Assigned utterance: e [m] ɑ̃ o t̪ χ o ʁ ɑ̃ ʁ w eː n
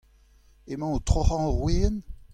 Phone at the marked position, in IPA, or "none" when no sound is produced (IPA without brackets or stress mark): m